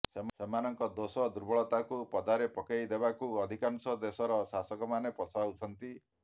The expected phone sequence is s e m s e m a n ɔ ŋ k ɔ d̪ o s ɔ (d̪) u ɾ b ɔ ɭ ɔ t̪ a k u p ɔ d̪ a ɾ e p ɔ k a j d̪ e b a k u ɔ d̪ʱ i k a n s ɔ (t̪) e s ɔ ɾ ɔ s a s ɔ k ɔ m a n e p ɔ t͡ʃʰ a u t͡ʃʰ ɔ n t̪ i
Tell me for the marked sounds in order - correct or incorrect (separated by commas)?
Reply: correct, incorrect